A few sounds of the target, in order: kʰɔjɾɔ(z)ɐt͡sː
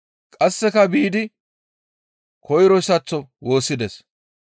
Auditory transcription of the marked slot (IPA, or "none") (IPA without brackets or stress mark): s